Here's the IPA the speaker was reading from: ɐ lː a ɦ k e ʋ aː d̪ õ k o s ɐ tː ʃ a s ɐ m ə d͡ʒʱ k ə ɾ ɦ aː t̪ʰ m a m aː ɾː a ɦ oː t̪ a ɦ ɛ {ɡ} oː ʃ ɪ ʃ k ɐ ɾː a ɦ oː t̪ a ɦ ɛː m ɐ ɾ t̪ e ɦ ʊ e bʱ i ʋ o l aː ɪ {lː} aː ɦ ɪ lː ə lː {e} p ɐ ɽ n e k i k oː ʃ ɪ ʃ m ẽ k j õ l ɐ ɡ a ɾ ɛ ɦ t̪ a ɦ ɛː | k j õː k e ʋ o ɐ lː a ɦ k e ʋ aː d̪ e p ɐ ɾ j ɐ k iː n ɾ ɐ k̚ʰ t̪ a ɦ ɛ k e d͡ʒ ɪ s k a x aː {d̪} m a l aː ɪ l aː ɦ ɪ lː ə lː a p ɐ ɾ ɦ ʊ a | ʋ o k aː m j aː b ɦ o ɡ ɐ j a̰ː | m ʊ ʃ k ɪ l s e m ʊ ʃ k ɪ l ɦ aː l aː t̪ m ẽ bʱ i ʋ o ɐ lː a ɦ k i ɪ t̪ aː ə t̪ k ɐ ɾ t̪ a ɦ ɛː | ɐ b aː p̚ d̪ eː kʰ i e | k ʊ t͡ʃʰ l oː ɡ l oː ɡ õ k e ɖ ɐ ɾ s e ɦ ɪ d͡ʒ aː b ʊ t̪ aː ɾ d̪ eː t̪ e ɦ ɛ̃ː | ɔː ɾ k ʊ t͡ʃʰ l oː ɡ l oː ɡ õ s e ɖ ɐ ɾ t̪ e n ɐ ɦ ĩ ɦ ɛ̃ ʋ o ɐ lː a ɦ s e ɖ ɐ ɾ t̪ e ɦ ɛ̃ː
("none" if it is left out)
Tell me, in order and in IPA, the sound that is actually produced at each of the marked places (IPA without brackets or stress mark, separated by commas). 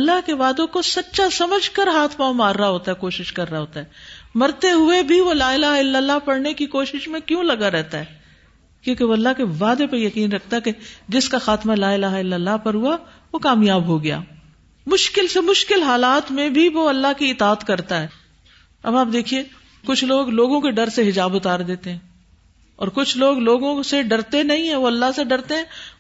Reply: k, l, a, t̪